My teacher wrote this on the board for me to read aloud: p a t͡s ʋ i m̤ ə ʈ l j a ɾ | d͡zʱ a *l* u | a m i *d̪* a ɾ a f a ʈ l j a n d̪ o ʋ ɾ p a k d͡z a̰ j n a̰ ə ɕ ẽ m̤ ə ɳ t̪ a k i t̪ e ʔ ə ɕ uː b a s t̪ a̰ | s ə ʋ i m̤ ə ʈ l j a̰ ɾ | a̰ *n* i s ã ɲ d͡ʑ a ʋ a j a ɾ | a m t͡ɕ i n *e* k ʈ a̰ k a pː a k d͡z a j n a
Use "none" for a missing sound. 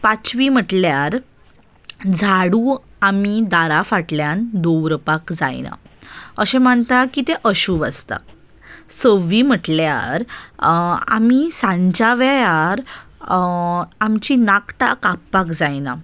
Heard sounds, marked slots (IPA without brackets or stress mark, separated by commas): ɽ, d̪, m, a